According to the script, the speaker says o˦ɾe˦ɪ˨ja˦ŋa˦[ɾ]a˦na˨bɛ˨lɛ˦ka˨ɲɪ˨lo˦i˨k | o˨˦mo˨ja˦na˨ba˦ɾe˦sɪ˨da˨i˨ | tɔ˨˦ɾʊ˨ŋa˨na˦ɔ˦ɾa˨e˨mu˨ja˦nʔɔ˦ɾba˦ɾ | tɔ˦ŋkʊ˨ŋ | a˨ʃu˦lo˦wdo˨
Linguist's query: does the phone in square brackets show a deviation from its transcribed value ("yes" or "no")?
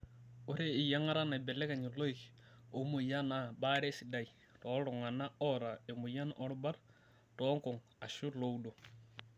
no